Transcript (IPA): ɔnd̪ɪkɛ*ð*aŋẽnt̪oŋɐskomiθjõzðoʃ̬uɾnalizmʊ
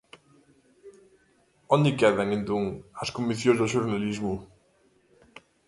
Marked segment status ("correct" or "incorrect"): correct